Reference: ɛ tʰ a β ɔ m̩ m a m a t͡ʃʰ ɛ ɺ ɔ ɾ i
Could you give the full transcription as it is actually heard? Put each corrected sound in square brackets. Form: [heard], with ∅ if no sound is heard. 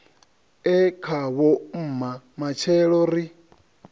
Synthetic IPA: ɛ [kʰ] a β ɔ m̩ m a m a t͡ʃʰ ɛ ɺ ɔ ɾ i